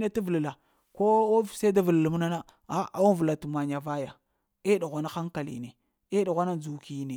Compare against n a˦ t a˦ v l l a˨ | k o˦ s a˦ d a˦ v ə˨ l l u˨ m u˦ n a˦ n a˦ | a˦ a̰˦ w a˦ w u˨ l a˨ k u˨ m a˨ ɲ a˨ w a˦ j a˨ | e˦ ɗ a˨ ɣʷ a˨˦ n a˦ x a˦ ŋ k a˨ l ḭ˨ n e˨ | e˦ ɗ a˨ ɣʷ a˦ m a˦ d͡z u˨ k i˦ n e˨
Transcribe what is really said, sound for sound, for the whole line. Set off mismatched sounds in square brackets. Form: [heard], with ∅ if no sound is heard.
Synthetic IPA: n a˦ t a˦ v l l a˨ | k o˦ s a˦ d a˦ v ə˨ l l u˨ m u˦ n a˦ n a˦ | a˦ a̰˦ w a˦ [v] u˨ l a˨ [t] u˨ m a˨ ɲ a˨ [v] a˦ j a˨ | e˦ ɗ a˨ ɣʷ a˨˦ n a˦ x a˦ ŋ k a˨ l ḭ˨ n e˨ | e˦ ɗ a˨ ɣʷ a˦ [n] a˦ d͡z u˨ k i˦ n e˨